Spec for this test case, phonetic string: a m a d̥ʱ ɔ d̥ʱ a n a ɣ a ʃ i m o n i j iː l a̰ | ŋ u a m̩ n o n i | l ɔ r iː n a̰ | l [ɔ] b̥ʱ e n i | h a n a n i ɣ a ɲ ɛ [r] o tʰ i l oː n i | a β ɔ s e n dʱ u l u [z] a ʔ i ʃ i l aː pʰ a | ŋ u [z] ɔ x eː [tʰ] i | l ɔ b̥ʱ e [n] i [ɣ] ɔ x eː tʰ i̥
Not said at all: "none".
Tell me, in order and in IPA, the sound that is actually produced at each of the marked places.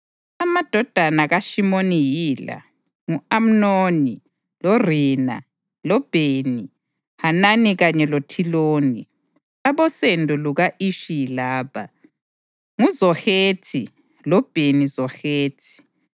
ɔ, l, ɣ, z, tʰ, n, z

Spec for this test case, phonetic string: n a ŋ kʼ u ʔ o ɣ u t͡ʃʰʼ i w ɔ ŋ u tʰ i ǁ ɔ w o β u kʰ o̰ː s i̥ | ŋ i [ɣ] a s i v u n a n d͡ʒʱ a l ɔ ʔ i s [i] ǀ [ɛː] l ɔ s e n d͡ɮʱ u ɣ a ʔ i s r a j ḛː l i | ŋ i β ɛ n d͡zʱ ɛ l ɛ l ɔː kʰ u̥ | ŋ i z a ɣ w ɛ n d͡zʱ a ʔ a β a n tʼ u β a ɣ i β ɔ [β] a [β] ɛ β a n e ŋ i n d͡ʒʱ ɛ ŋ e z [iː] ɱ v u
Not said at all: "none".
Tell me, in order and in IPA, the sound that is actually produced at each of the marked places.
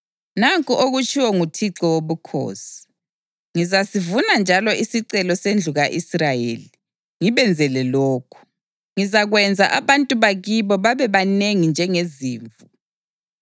z, i, ɛ, β, β, iː

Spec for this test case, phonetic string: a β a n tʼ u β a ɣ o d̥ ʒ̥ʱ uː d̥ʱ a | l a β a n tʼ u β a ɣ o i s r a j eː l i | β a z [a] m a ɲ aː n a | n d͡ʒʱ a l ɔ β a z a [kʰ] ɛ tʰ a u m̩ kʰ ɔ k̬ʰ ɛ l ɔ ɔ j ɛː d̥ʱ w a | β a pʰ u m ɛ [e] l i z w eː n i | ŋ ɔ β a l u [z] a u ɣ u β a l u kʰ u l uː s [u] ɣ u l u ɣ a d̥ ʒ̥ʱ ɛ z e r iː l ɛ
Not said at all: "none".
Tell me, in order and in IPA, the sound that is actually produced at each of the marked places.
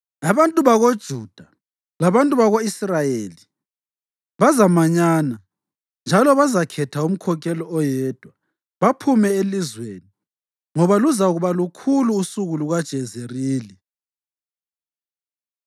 a, kʰ, e, z, u

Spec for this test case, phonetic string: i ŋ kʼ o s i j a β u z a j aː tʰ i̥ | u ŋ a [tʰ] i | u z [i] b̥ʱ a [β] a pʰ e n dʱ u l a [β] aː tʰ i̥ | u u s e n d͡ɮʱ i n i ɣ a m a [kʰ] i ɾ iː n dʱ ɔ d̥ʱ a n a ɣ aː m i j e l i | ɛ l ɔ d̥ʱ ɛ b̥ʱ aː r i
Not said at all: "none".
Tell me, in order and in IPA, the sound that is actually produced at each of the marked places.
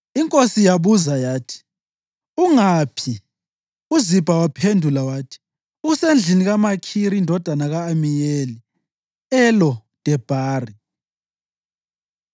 pʰ, i, w, w, kʰ

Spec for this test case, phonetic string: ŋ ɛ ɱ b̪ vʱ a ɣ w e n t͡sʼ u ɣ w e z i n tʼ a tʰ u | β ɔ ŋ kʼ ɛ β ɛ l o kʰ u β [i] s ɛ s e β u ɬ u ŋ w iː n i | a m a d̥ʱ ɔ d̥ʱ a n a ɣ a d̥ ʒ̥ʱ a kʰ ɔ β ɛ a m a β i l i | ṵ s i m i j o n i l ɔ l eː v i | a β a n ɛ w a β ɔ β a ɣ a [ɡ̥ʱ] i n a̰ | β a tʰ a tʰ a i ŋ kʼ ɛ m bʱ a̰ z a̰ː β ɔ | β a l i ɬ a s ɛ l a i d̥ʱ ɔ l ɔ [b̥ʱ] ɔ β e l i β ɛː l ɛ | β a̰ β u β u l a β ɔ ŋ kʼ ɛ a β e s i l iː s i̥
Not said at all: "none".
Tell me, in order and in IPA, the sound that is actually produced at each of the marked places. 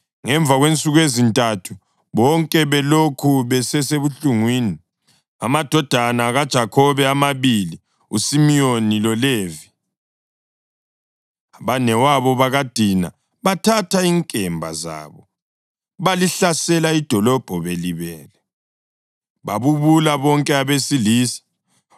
ɛ, d̥ʱ, b̥ʱ

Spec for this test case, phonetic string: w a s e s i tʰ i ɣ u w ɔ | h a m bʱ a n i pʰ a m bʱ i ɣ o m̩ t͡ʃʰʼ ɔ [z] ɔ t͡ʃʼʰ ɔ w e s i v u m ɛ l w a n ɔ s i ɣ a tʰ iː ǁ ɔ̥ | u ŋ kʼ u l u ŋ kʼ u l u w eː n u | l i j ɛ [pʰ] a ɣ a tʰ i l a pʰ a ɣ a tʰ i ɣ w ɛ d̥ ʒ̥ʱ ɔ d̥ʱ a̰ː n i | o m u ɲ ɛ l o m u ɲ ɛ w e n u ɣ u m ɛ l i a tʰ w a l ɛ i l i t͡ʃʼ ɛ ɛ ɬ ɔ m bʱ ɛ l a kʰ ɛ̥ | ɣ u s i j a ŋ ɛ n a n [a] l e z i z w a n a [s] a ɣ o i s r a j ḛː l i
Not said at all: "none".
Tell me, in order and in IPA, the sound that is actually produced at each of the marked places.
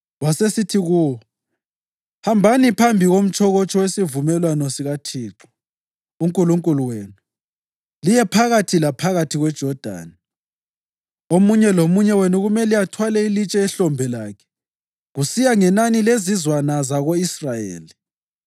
ɣ, pʰ, i, z

